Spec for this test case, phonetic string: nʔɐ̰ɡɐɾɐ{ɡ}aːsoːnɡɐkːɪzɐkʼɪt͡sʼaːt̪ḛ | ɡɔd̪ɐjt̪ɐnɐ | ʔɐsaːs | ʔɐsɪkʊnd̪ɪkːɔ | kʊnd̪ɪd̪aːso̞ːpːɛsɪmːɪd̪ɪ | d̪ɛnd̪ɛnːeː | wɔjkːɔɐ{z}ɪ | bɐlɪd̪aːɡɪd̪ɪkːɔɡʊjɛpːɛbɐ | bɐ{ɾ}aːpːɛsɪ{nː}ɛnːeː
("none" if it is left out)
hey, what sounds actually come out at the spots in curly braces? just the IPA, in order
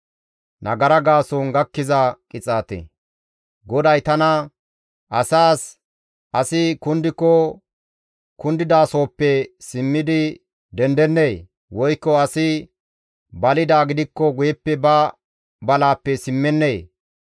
ɡ, s, l, mː

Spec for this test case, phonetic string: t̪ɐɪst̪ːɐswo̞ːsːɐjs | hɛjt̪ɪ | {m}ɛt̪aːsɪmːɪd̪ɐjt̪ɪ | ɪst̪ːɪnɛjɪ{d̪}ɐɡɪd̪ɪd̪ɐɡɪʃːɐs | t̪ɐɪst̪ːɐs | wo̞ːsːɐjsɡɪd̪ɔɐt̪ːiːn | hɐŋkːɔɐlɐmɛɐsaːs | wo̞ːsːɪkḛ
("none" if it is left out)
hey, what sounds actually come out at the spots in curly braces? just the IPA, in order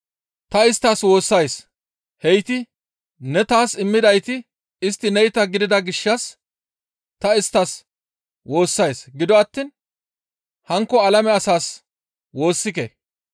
n, t̪

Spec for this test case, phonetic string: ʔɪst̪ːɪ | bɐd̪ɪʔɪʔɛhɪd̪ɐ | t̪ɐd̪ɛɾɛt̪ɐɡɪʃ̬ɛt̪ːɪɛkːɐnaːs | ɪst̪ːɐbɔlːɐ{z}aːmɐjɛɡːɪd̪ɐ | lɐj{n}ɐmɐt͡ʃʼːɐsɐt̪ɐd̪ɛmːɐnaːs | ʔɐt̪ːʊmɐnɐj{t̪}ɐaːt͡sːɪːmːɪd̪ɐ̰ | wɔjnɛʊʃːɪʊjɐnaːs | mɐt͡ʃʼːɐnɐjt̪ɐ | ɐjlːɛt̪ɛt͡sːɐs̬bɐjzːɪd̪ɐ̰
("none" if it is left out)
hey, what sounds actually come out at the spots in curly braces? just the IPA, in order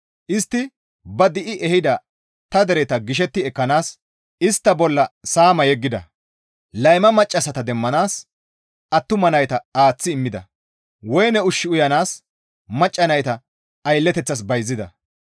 s, m, t̪

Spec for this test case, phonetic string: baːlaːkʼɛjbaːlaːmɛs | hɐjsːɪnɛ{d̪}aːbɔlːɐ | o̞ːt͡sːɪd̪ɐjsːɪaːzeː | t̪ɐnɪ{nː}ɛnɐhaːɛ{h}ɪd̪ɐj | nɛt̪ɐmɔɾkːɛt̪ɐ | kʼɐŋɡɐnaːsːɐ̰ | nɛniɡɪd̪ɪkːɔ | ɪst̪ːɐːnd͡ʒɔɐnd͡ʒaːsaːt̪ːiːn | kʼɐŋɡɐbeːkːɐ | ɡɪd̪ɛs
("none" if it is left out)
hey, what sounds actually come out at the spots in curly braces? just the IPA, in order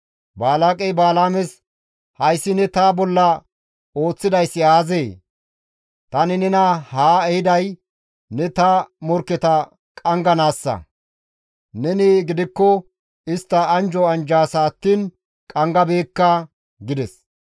t̪, n, h

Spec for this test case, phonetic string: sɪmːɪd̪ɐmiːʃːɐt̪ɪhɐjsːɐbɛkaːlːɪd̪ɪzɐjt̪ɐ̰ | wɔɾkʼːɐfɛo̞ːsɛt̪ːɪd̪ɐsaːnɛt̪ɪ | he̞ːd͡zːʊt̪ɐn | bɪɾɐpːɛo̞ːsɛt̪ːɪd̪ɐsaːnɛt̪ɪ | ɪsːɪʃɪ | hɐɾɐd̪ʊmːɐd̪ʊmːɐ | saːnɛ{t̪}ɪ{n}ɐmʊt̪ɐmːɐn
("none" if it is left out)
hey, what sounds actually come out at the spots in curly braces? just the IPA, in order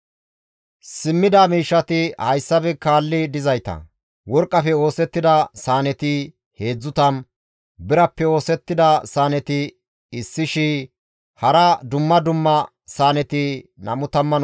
t̪, n

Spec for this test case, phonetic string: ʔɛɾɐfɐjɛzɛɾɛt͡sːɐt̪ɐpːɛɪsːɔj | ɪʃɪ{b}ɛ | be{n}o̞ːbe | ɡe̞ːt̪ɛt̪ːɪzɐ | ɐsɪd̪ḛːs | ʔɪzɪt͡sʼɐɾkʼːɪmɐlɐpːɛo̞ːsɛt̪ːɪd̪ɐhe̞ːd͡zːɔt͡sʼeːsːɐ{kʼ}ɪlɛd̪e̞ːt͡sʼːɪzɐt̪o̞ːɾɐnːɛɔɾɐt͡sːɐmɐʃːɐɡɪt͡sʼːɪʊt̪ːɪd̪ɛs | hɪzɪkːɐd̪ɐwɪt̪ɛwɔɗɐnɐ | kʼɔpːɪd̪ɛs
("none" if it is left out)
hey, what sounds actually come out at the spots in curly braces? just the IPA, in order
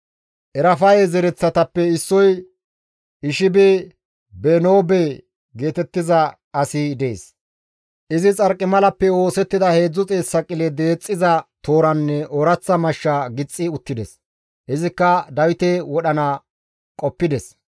b, n, kʼ

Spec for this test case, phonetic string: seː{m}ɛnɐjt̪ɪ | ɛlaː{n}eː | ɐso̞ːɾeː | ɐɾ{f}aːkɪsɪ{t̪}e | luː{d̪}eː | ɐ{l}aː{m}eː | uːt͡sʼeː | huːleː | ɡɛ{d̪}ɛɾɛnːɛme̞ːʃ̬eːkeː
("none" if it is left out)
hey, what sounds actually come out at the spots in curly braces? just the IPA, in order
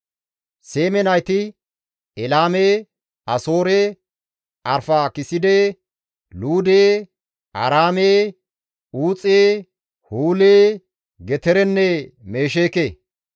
m, m, f, d̪, d̪, ɾ, m, t̪

